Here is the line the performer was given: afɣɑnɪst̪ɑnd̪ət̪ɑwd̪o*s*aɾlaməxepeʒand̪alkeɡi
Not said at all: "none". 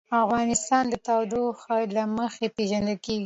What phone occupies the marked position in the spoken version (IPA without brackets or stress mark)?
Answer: x